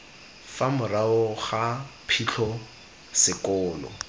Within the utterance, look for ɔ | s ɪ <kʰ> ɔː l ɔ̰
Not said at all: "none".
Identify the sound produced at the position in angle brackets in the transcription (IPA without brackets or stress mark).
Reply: k